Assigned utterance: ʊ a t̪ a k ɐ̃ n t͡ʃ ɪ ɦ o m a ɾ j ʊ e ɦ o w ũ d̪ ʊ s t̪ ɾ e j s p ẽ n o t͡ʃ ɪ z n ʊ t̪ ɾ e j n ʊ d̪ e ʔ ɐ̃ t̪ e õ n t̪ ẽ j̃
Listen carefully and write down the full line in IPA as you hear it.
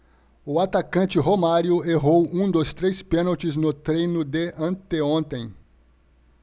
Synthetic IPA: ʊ a t̪ a k ɐ̃ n t͡ʃ ɪ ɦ o m a ɾ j ʊ e ɦ o w ũ d̪ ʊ s t̪ ɾ e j s p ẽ n o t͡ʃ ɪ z n ʊ t̪ ɾ e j n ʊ d̪ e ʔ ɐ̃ t̪ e õ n t̪ ẽ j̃